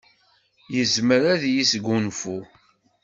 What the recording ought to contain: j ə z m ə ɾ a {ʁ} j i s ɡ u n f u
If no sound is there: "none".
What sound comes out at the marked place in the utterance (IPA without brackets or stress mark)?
ð